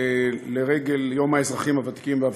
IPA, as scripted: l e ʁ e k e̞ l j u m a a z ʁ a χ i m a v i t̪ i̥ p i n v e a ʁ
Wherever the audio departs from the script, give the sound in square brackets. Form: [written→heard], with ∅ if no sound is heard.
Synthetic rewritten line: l e ʁ e [k→ɡ] e̞ l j [u→o] m a [a→e] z ʁ a χ i m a v [i→a] t̪ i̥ [p→k] i [n→m] v e a [ʁ→v]